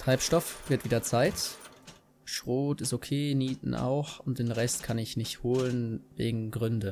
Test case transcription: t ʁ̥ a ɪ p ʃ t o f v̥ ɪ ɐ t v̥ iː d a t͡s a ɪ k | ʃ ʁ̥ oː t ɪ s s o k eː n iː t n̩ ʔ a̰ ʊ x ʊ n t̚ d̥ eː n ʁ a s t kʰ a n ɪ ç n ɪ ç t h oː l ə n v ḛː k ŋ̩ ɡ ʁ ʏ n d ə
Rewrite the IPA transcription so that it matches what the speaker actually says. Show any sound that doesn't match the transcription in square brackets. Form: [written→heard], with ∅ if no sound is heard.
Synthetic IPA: t ʁ̥ a ɪ p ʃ t [o→ɔ] f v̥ ɪ ɐ t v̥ iː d [a→ɐ] t͡s a ɪ [k→t] | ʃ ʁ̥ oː t ɪ s [s→t] o [k→kʰ] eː n iː t n̩ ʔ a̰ ʊ x ʊ n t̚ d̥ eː n ʁ [a→ɛ] s t kʰ a n ɪ ç n ɪ ç t h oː l ə n v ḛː [k→ɡ] ŋ̩ ɡ ʁ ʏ n d ə